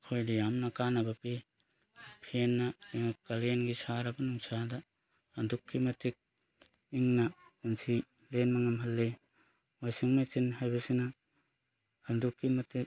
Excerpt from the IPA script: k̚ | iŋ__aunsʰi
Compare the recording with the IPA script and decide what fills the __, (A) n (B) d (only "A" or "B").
A